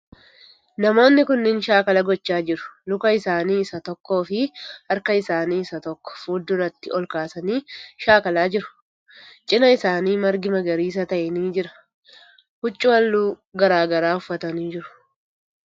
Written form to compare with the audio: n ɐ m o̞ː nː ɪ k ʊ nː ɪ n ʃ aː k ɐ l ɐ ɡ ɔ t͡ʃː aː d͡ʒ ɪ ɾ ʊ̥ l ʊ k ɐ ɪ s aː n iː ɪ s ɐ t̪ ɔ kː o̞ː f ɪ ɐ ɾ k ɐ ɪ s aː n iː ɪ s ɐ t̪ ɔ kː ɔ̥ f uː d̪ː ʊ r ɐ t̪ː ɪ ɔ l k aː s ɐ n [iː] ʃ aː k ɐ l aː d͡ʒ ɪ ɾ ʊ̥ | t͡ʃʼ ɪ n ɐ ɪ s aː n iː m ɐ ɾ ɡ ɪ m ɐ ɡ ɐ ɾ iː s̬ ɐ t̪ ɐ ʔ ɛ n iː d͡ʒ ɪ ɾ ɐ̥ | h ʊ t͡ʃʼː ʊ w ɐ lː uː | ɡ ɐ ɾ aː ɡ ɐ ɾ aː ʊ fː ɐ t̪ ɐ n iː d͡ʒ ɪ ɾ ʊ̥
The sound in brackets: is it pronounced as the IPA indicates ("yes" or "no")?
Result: yes